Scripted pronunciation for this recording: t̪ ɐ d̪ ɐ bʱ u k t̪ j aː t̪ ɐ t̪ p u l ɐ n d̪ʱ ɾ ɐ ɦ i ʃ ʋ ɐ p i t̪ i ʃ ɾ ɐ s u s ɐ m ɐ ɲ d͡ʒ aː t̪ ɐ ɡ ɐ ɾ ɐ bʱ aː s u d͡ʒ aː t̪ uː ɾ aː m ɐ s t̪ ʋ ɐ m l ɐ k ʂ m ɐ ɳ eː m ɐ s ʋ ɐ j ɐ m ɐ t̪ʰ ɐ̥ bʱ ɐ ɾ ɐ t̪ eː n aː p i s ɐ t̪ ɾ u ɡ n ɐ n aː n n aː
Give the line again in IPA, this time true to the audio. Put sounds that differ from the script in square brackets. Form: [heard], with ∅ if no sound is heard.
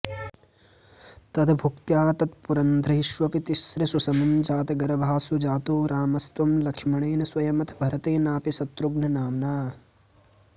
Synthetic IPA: t̪ ɐ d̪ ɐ bʱ u k t̪ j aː t̪ ɐ t̪ p u [ɾ] ɐ n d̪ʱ ɾ ɐ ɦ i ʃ ʋ ɐ p i t̪ i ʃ ɾ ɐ s u s ɐ m ɐ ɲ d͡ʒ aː t̪ ɐ ɡ ɐ ɾ ɐ bʱ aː s u d͡ʒ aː t̪ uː ɾ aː m ɐ s t̪ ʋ ɐ m l ɐ k ʂ m ɐ ɳ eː [n] ɐ s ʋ ɐ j ɐ m ɐ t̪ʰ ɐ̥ bʱ ɐ ɾ ɐ t̪ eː n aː p i s ɐ t̪ ɾ u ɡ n ɐ n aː [m] n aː

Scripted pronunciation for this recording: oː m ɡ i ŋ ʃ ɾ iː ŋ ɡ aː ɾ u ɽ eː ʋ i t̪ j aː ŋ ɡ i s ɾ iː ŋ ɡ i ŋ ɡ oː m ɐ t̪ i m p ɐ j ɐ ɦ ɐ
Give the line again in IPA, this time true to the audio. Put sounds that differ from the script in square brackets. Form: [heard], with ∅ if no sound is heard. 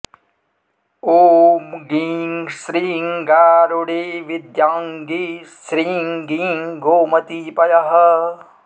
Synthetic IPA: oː m ɡ i ŋ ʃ ɾ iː ŋ ɡ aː ɾ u ɽ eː ʋ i [d̪] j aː ŋ ɡ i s ɾ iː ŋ ɡ i ŋ ɡ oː m ɐ t̪ i [∅] p ɐ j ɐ ɦ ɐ

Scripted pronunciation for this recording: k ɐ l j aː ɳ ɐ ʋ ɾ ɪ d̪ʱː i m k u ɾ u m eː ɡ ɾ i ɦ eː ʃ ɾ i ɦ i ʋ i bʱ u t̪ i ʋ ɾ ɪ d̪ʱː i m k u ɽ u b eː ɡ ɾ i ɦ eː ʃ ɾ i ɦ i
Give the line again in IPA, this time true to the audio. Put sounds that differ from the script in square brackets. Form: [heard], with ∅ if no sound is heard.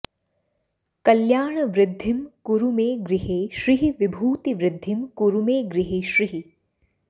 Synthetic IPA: k ɐ l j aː ɳ ɐ ʋ ɾ ɪ d̪ʱː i m k u ɾ u m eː ɡ ɾ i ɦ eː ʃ ɾ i ɦ i ʋ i bʱ [uː] t̪ i ʋ ɾ ɪ d̪ʱː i m k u [ɾ] u [m] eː ɡ ɾ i ɦ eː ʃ ɾ i ɦ i

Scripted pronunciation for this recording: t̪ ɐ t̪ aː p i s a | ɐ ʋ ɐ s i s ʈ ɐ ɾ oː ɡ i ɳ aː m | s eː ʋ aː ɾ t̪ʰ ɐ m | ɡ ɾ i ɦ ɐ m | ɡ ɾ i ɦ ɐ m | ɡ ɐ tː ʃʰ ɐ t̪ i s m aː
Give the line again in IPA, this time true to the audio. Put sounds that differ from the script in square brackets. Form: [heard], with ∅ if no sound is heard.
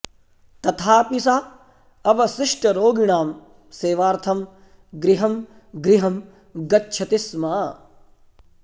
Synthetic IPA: t̪ ɐ [t̪ʰ] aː p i s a | ɐ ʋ ɐ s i [ʂ] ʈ ɐ ɾ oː ɡ i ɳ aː m | s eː ʋ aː ɾ t̪ʰ ɐ m | ɡ ɾ i ɦ ɐ m | ɡ ɾ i ɦ ɐ m | ɡ ɐ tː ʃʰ ɐ t̪ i s m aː

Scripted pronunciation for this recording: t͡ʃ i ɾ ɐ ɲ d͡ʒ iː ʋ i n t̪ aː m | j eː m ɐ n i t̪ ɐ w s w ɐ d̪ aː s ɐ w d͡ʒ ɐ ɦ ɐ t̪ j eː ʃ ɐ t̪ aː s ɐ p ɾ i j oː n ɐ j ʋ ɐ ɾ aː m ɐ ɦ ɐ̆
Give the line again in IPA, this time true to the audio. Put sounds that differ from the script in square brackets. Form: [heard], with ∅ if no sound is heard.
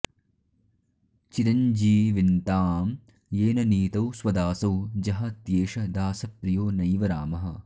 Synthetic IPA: t͡ʃ i ɾ ɐ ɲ d͡ʒ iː ʋ i n t̪ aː m | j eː [n] ɐ n [iː] t̪ ɐ w s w ɐ d̪ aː s ɐ w d͡ʒ ɐ ɦ ɐ t̪ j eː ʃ ɐ [d̪] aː s ɐ p ɾ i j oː n ɐ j ʋ ɐ ɾ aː m ɐ ɦ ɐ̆

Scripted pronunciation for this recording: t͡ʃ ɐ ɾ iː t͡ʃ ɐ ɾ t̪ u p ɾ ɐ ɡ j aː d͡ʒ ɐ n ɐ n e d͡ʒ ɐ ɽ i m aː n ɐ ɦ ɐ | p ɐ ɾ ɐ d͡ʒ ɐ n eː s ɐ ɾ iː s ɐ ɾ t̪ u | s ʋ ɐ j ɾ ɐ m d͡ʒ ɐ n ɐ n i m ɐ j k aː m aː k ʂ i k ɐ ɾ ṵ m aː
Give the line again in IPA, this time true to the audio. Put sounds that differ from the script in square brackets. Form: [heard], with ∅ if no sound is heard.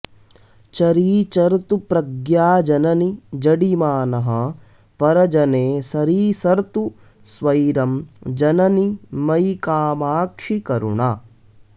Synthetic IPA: t͡ʃ ɐ ɾ iː t͡ʃ ɐ ɾ t̪ u p ɾ ɐ ɡ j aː d͡ʒ ɐ n ɐ n [i] d͡ʒ ɐ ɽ i m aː n ɐ ɦ ɐ | p ɐ ɾ ɐ d͡ʒ ɐ n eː s ɐ ɾ iː s ɐ ɾ t̪ u | s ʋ ɐ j ɾ ɐ m d͡ʒ ɐ n ɐ n i m ɐ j k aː m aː k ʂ i k ɐ ɾ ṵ [ɳ] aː

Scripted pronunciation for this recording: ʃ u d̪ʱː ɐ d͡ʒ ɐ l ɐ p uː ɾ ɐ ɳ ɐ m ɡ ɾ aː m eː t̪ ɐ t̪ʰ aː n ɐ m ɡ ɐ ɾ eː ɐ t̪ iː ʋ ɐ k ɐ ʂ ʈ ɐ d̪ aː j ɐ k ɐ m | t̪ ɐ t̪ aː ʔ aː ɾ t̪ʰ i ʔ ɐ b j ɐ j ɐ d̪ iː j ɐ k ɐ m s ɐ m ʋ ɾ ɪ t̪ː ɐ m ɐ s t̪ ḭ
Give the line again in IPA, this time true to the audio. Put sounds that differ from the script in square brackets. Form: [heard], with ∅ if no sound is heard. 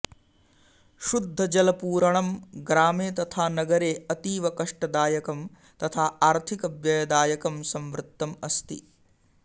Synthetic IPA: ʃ u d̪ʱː ɐ d͡ʒ ɐ l ɐ p uː ɾ ɐ ɳ ɐ m ɡ ɾ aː m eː t̪ ɐ t̪ʰ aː n ɐ [∅] ɡ ɐ ɾ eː ɐ t̪ iː ʋ ɐ k ɐ ʂ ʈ ɐ d̪ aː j ɐ k ɐ m | t̪ ɐ [t̪ʰ] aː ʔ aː ɾ t̪ʰ i [k] ɐ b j ɐ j ɐ d̪ [aː] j ɐ k ɐ m s ɐ m ʋ ɾ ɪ t̪ː ɐ m ɐ s t̪ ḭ

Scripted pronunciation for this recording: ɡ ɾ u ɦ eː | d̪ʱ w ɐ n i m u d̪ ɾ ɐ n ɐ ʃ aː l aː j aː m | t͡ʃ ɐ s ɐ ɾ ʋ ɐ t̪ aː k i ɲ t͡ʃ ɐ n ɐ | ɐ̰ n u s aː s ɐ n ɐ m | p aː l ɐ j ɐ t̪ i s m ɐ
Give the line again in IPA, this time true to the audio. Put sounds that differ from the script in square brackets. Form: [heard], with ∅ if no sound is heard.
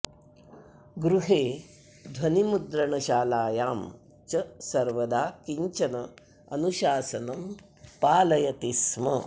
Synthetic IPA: ɡ ɾ u ɦ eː | d̪ʱ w ɐ n i m u d̪ ɾ ɐ [ɳ] ɐ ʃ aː l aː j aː m | t͡ʃ ɐ s ɐ ɾ ʋ ɐ [d̪] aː k i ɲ t͡ʃ ɐ n ɐ | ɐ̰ n u [ʃ] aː s ɐ n ɐ m | p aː l ɐ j ɐ t̪ i s m ɐ

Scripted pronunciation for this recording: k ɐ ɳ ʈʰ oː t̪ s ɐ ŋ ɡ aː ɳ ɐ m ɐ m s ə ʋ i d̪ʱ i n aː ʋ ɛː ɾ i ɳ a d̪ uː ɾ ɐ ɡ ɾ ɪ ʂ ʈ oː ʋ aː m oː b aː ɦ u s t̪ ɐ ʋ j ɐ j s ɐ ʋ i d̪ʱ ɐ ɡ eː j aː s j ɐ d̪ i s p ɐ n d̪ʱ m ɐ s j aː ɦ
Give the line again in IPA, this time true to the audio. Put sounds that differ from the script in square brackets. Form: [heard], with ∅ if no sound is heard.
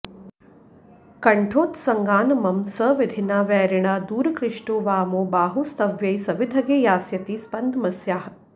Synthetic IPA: k ɐ ɳ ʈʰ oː t̪ s ɐ ŋ ɡ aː [n] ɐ m ɐ m s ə ʋ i d̪ʱ i n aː ʋ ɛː ɾ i ɳ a d̪ uː ɾ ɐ [k] ɾ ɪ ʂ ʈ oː ʋ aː m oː b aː ɦ u s t̪ ɐ ʋ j ɐ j s ɐ ʋ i d̪ʱ ɐ ɡ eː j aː s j ɐ [t̪] i s p ɐ n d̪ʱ m ɐ s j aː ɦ

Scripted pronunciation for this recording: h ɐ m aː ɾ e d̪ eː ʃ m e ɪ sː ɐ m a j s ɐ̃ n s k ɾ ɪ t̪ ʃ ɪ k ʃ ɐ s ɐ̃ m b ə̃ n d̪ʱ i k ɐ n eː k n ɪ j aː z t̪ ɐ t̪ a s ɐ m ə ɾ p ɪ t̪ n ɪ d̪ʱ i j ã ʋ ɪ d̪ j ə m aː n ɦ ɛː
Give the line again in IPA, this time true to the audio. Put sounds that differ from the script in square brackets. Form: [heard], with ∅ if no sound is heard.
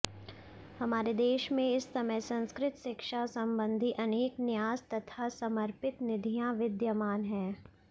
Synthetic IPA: h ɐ m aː ɾ e d̪ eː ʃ m [ẽ] ɪ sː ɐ m [ə] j s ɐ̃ n s k ɾ ɪ t̪ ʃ ɪ k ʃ [a] s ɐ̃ m b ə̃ n d̪ʱ i [ʔ] ɐ n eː k n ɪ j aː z t̪ ɐ [t̪ʰ] a s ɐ m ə ɾ p ɪ t̪ n ɪ d̪ʱ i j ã ʋ ɪ d̪ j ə m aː n ɦ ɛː

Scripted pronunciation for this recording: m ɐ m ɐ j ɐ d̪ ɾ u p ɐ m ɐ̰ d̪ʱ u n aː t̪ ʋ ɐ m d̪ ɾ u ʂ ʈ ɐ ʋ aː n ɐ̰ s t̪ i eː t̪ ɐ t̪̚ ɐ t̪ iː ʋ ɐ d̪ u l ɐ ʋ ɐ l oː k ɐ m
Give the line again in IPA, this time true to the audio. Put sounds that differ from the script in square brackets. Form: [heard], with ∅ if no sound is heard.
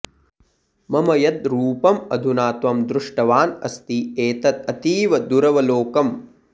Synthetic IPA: m ɐ m ɐ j ɐ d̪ ɾ [uː] p ɐ m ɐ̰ d̪ʱ u n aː t̪ ʋ ɐ m d̪ ɾ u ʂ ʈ ɐ ʋ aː n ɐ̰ s t̪ i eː t̪ ɐ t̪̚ ɐ t̪ iː ʋ ɐ d̪ u [ɾ] ɐ ʋ ɐ l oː k ɐ m

